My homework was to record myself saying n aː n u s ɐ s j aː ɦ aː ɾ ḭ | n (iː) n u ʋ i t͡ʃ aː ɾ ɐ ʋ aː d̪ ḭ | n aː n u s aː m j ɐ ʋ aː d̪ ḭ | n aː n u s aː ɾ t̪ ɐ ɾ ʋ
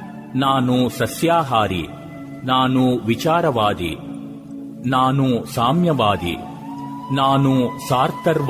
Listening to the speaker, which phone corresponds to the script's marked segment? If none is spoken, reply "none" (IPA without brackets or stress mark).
aː